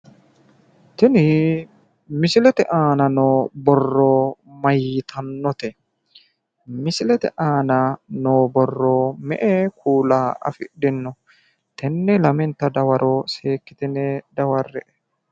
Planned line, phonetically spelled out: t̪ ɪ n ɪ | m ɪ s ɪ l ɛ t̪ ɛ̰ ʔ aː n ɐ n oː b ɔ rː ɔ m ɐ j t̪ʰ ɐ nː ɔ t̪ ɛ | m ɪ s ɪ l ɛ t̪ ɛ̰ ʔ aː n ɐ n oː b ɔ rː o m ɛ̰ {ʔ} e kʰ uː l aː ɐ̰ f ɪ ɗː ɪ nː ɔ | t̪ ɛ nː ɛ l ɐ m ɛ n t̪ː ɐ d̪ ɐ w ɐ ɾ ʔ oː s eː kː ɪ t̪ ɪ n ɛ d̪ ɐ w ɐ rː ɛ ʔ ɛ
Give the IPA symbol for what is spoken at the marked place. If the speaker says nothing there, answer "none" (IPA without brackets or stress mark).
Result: ʔ